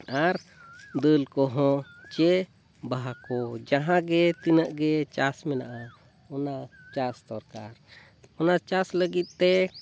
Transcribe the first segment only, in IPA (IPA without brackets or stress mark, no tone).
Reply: a